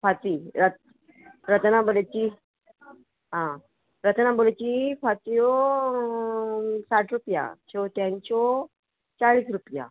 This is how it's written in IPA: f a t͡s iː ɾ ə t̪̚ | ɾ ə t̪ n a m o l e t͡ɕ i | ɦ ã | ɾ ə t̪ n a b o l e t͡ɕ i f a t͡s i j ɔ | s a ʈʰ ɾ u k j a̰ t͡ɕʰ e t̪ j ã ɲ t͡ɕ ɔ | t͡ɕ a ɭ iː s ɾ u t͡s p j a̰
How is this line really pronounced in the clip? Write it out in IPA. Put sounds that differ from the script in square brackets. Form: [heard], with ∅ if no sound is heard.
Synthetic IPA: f a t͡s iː ɾ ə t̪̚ | ɾ ə t̪ n a [b] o l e t͡ɕ i | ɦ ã | ɾ ə t̪ n a b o l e t͡ɕ i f a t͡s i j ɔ | s a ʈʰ ɾ u [p] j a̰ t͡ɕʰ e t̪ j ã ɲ t͡ɕ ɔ | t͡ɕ a ɭ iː s ɾ u [∅] p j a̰